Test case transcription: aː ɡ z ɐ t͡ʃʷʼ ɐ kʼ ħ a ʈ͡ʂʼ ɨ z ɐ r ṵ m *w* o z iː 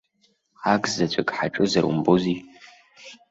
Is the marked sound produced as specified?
no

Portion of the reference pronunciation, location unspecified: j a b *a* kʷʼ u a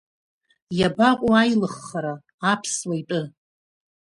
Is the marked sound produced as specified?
yes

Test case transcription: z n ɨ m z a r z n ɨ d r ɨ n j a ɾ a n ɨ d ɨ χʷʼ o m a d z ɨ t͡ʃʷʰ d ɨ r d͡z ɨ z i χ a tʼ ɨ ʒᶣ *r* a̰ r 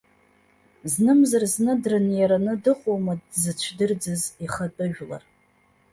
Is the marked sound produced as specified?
no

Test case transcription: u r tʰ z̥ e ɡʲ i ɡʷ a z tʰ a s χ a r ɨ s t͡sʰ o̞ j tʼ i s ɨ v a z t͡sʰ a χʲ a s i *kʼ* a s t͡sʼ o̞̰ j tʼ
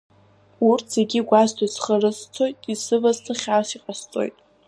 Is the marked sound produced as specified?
no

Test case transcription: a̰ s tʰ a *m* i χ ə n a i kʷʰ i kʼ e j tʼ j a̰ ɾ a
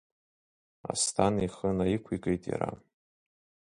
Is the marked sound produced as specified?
no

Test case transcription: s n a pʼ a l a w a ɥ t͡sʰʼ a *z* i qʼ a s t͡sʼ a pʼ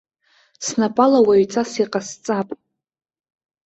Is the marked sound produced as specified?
no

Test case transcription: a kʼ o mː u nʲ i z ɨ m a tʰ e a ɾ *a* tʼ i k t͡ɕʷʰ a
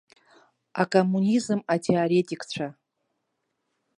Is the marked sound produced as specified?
no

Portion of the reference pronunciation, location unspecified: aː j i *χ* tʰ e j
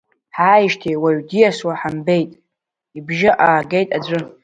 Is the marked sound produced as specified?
no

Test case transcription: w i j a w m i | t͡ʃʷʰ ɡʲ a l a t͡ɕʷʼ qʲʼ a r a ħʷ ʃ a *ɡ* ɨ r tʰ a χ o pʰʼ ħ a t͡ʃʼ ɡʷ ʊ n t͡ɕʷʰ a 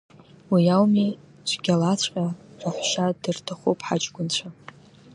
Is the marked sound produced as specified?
no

